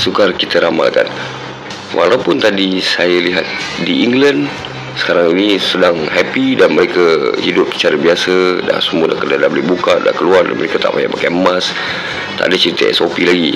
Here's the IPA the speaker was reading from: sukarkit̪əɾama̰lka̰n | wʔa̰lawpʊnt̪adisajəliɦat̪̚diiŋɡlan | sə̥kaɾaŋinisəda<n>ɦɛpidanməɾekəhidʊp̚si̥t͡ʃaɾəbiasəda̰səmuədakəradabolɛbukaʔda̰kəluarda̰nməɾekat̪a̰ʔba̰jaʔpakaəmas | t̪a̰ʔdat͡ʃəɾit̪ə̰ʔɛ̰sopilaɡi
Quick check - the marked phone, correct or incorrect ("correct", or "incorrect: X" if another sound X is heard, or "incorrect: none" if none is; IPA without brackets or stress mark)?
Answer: incorrect: ŋ